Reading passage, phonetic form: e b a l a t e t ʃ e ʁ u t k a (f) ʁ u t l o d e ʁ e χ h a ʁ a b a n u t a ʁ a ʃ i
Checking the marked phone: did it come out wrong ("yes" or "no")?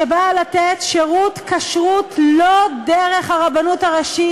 yes